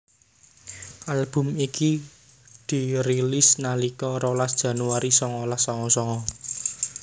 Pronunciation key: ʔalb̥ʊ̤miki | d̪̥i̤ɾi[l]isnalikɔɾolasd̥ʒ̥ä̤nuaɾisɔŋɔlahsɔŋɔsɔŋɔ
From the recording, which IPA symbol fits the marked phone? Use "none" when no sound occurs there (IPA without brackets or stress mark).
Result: l